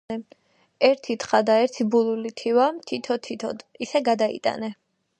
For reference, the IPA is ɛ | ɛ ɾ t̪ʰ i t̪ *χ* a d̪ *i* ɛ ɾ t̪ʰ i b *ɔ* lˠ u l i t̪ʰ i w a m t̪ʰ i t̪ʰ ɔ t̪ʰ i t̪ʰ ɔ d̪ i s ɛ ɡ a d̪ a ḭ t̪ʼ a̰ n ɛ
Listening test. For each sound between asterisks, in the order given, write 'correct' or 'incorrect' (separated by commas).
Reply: correct, incorrect, incorrect